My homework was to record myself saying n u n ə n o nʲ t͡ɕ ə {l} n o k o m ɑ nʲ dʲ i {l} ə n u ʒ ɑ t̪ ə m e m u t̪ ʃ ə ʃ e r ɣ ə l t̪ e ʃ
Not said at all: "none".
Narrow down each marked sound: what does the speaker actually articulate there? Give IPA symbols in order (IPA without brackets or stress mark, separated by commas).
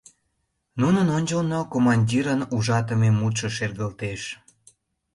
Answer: l, ɾ